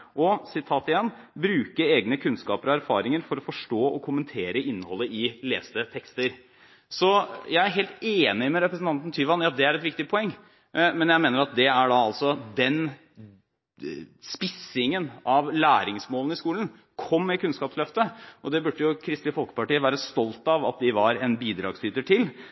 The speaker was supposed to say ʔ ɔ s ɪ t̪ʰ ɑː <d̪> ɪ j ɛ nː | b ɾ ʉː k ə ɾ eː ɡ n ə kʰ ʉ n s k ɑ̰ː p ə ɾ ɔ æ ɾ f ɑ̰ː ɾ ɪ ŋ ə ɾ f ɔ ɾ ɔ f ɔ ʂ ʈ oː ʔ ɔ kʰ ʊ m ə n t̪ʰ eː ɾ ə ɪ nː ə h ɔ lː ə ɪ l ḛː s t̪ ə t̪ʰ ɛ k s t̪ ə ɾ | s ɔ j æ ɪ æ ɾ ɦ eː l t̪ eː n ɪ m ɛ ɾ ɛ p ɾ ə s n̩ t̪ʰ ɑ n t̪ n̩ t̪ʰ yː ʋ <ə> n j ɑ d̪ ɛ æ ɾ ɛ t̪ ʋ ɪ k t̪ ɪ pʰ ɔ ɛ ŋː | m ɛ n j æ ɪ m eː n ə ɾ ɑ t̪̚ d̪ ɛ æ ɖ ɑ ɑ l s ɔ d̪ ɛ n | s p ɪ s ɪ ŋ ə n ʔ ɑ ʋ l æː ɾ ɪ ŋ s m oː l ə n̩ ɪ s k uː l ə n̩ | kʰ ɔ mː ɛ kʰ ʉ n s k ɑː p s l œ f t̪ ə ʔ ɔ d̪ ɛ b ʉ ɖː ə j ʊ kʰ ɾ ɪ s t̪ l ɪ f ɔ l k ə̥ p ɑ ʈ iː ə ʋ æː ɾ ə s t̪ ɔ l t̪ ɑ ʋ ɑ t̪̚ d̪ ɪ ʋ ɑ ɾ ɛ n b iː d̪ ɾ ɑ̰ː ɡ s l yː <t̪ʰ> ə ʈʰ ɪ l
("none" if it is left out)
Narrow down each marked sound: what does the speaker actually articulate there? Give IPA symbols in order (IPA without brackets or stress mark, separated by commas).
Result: t̪, ɑ, t̪